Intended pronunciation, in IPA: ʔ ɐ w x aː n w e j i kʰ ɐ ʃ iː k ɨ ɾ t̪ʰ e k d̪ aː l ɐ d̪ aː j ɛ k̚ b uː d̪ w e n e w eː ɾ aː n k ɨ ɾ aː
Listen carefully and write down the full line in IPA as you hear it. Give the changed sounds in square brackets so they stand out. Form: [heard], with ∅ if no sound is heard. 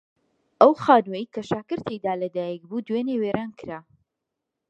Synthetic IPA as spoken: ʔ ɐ w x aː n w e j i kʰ ɐ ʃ [aː] k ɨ ɾ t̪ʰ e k d̪ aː l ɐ d̪ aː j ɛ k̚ b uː d̪ w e n e w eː ɾ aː n k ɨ ɾ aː